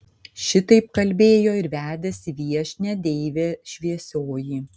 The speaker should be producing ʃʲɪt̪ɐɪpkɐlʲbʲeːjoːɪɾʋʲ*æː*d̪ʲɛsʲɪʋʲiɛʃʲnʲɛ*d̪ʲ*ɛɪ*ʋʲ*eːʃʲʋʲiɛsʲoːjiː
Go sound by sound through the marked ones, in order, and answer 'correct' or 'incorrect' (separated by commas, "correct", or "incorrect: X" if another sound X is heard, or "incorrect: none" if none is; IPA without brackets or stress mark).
correct, correct, correct